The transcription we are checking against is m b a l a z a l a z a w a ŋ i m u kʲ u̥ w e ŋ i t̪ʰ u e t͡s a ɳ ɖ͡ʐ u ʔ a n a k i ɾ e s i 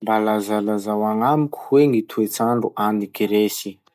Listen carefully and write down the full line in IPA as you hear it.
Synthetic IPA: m b a l a z a l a z a w a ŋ a m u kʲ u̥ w e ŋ i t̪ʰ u e t͡s a ɳ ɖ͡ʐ u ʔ a n i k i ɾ e s i